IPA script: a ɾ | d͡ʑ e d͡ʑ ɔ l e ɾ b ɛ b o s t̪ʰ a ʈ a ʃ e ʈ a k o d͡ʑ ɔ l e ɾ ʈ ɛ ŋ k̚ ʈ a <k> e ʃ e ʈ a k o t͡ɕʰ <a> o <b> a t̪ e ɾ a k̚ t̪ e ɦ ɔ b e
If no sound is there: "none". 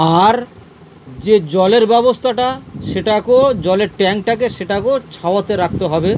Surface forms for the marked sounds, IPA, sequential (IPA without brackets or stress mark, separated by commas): k, a, none